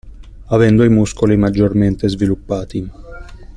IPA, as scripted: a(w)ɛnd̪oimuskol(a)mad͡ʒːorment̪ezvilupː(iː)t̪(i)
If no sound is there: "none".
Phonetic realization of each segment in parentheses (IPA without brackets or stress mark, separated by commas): v, i, aː, i